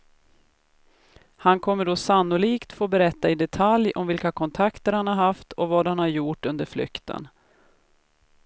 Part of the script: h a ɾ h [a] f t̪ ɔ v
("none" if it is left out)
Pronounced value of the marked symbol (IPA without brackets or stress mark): a